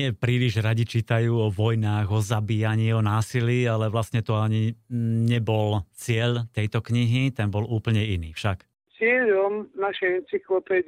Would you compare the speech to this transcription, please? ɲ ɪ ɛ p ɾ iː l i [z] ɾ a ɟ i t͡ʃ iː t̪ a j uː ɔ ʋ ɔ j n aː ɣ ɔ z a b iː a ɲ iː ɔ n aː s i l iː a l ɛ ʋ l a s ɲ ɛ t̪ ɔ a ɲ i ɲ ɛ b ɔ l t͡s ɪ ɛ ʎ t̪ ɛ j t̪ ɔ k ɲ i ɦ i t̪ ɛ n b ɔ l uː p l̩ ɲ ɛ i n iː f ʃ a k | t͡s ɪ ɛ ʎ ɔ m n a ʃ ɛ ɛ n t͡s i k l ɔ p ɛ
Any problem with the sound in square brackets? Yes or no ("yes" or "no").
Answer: yes